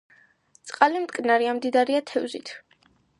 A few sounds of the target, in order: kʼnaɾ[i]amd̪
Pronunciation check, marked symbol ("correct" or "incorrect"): correct